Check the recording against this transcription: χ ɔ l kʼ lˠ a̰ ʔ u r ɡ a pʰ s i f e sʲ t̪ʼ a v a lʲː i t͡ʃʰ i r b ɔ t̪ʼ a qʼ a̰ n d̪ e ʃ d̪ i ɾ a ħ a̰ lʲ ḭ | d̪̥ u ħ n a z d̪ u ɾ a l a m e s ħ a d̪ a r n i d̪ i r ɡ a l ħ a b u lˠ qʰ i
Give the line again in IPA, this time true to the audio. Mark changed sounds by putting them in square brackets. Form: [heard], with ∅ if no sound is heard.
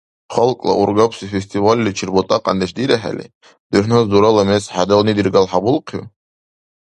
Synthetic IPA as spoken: χ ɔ l kʼ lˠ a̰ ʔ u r ɡ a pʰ s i f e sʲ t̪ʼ [i] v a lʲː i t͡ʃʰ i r b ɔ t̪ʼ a qʼ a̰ n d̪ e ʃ d̪ i ɾ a ħ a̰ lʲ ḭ | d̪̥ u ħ n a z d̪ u ɾ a l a m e s ħ a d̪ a [l] n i d̪ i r ɡ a l ħ a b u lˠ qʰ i